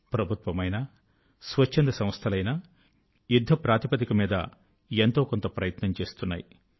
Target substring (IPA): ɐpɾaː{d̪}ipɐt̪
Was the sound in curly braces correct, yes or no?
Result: no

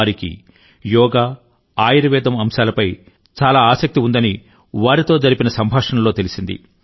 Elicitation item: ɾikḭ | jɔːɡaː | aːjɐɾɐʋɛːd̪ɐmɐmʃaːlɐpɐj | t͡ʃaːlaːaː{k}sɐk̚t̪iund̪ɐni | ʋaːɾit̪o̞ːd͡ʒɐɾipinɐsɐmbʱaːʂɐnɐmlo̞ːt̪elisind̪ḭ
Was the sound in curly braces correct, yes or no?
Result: no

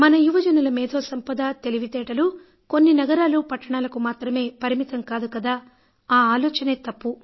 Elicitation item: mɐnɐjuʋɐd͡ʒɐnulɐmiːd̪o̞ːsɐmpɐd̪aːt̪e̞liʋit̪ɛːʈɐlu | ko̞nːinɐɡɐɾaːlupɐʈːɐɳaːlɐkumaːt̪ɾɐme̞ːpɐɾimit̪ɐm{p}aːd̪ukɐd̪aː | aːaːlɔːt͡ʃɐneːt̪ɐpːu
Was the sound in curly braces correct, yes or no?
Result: no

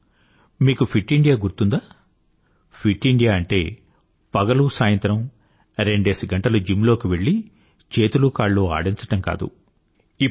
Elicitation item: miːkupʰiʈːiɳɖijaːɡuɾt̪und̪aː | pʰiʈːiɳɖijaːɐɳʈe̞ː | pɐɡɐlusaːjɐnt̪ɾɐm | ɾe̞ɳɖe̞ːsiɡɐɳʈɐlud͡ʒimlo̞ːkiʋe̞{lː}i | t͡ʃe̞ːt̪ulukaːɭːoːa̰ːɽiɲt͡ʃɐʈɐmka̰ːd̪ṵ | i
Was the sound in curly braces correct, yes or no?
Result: no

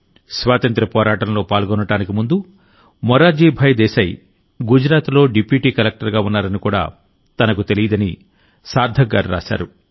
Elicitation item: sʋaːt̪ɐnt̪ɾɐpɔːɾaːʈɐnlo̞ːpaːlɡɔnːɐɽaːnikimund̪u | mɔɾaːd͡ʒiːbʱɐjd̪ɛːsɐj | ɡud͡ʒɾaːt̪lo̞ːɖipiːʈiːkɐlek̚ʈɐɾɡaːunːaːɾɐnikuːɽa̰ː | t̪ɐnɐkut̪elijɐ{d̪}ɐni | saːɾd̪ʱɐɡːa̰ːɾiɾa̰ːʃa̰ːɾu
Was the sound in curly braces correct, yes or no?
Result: yes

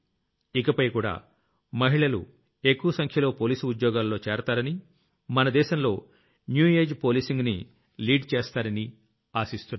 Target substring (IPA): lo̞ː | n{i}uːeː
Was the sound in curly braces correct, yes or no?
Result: no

